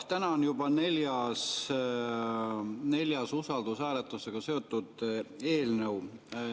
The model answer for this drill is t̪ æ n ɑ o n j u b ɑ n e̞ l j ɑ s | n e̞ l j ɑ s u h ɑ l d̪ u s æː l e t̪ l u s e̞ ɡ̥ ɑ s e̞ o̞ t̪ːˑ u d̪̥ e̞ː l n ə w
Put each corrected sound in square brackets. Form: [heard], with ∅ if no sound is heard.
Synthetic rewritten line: t̪ æ n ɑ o n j u b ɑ n e̞ l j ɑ s | n e̞ l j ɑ s u [s] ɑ l d̪ u s æː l e t̪ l u s e̞ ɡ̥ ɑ s e̞ o̞ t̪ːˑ u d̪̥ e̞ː l n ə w